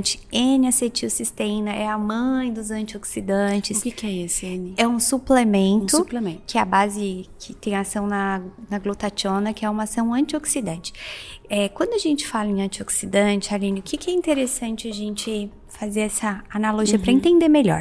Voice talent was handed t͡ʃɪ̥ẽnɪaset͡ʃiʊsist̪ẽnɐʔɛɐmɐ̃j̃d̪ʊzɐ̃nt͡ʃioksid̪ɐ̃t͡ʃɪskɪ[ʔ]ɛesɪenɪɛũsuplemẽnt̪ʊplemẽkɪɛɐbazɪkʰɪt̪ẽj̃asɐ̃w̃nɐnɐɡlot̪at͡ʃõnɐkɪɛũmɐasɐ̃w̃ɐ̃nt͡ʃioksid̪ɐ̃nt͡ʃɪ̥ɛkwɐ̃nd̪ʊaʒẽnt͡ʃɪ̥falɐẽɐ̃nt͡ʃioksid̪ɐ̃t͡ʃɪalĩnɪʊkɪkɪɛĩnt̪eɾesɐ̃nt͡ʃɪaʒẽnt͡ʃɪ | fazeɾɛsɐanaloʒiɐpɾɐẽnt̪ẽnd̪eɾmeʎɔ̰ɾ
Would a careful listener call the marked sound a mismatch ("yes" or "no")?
yes